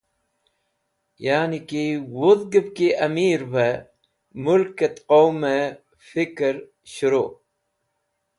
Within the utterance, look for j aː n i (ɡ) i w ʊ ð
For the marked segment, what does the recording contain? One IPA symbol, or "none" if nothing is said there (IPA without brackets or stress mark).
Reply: k